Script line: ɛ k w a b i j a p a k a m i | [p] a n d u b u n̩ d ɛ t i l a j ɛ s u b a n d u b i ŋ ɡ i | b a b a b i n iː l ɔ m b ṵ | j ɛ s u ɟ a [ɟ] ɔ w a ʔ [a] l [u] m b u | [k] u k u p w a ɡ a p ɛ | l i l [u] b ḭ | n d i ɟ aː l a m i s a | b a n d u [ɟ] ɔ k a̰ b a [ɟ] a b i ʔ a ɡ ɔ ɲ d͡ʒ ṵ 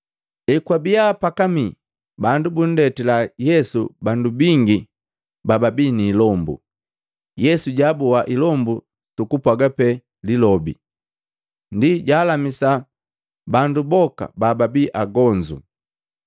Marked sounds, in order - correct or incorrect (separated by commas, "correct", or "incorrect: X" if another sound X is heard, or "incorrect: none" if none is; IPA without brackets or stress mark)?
incorrect: b, incorrect: b, incorrect: i, incorrect: ɔ, incorrect: t, incorrect: ɔ, incorrect: b, incorrect: b